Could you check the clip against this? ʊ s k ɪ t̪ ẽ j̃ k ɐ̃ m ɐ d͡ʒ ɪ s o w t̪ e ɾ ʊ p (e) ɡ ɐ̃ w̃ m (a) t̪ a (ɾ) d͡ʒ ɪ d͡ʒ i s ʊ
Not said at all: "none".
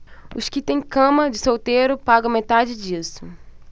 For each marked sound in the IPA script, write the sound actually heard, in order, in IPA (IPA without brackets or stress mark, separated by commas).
a, e, none